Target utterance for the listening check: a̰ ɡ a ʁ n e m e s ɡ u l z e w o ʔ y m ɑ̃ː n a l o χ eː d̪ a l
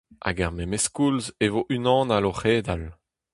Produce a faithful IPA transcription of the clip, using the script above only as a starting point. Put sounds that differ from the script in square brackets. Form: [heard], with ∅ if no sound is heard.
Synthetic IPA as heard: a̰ ɡ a ʁ [m] e m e s [k] u l z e [v] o ʔ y [n] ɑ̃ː n a l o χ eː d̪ a l